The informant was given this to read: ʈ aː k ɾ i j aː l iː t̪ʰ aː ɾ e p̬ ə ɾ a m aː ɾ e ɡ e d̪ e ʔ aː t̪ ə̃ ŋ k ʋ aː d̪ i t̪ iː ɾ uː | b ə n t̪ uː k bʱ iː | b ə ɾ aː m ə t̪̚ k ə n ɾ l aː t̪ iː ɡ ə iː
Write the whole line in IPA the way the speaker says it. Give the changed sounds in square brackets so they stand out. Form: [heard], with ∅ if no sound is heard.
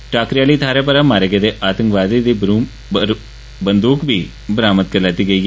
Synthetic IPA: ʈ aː k ɾ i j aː l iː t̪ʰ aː ɾ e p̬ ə ɾ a m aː ɾ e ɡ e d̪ e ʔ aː t̪ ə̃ ŋ k ʋ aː d̪ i [d̪] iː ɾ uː | b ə n [d̪] uː k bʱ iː | b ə ɾ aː m ə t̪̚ k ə [∅] ɾ l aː t̪ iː ɡ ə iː